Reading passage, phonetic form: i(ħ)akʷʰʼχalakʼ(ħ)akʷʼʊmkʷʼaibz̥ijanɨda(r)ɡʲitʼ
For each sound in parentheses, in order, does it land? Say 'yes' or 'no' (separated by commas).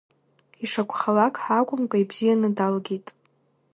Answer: no, yes, no